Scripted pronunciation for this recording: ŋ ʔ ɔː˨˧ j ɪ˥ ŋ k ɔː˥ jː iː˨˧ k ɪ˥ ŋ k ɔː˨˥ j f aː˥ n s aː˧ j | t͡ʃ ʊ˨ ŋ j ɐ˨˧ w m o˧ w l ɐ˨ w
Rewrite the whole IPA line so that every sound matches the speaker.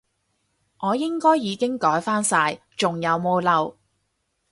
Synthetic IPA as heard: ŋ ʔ ɔː˨˧ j ɪ˥ ŋ k ɔː˥ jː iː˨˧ k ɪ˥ ŋ k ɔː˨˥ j f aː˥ n s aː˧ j | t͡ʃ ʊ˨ ŋ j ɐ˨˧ w m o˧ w l ɐ˨ w